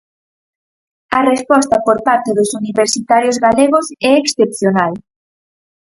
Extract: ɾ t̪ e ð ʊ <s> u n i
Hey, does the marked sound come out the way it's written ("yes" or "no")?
yes